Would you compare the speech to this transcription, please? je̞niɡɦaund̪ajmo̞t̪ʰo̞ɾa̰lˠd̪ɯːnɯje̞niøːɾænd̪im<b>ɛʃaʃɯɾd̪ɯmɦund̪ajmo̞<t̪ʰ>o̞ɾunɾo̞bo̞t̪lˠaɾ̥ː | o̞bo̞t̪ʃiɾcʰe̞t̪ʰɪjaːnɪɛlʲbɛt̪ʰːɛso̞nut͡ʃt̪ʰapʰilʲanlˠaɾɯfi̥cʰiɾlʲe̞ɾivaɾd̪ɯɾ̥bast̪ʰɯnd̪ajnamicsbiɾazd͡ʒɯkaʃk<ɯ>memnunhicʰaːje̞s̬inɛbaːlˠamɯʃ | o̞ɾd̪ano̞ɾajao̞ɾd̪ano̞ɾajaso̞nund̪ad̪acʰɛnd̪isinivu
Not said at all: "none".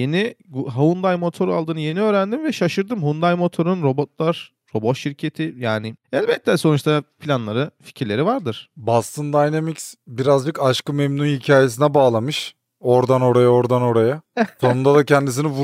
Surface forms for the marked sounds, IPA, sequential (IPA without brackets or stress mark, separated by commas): v, t̪ʰ, ɯ